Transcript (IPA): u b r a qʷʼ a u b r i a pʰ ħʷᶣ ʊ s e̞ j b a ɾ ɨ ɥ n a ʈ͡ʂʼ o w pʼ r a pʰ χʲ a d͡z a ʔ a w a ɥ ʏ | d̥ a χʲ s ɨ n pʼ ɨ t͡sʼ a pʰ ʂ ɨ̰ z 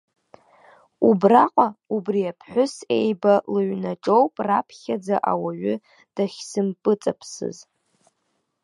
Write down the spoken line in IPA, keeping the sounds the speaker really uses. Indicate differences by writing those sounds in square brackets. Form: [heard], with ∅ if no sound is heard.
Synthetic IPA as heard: u b r a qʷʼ a u b r i a pʰ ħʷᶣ ʊ s e̞ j b a [l] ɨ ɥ n a ʈ͡ʂʼ o w pʼ r a pʰ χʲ a d͡z a ʔ a w a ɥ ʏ | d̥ a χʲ s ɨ [m] pʼ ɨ t͡sʼ a pʰ [s] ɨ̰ z